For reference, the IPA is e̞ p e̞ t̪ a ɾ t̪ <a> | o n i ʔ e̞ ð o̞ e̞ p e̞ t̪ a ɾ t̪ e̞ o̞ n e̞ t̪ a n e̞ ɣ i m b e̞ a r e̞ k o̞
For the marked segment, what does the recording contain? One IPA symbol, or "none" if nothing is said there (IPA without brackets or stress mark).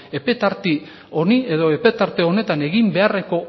i